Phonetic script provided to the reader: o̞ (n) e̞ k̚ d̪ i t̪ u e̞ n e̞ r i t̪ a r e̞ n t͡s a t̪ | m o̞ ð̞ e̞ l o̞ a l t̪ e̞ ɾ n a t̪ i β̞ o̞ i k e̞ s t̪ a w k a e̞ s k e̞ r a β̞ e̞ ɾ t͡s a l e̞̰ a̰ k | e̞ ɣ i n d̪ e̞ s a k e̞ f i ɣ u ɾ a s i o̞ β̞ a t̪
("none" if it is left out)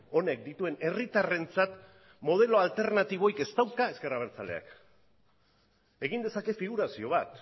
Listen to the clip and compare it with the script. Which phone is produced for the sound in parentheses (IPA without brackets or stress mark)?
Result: n